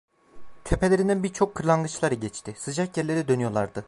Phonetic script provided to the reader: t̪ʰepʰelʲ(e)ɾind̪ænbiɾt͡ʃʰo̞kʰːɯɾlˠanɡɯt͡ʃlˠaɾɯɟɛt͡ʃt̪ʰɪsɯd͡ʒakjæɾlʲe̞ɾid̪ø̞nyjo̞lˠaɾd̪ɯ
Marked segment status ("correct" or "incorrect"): correct